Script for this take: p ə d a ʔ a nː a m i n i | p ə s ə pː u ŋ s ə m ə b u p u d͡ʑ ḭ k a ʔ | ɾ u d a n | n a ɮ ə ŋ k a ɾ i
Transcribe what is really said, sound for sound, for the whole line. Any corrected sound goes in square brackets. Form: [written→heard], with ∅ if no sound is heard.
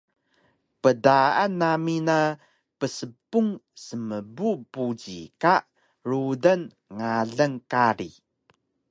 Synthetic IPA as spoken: p ə d a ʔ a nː a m i n [i→a] | p ə s ə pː u ŋ s ə m ə b u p u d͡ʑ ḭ k a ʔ | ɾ u d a n | [n→ŋ] a ɮ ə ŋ k a ɾ i